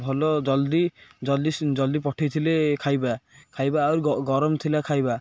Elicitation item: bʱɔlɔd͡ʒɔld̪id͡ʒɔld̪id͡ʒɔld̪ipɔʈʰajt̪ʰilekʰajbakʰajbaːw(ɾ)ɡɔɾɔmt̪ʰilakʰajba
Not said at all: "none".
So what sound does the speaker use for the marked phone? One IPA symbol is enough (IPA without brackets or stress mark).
ɾ